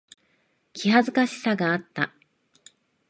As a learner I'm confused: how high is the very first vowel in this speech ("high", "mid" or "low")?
high